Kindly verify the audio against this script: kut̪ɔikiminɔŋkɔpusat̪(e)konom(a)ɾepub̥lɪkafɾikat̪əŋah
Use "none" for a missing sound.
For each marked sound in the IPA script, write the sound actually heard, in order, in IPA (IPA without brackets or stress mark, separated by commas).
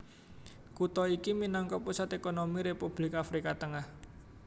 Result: e, i